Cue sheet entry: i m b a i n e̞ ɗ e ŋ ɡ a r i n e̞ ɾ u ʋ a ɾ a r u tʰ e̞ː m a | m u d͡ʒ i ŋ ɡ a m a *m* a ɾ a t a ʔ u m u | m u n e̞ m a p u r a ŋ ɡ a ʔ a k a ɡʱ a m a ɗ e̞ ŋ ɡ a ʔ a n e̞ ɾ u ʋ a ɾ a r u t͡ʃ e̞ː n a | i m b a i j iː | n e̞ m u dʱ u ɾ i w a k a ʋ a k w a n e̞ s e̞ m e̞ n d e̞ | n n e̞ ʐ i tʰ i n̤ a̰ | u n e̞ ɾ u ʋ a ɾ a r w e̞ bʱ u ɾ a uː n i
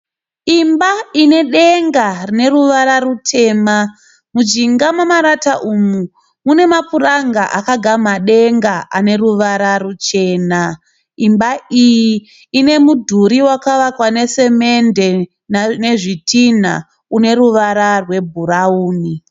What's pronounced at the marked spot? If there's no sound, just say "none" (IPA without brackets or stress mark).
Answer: m